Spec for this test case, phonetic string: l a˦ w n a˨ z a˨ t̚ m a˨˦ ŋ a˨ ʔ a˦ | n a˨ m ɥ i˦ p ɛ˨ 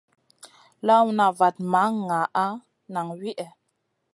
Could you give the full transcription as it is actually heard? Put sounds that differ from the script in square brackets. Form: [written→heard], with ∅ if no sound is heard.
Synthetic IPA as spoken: l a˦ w n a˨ [z→v] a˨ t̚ m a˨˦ ŋ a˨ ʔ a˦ | n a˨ [m→ŋ] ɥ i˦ [p→ʔ] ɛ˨